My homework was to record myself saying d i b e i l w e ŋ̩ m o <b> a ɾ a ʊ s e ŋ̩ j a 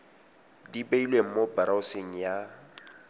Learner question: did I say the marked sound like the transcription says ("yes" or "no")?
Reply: yes